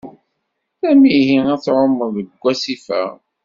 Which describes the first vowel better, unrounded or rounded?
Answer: unrounded